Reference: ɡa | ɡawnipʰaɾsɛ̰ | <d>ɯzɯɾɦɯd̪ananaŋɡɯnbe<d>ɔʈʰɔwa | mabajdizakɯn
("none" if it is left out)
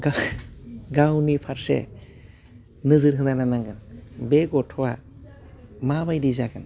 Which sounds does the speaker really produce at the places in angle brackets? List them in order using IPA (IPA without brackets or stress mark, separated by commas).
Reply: n, ɡ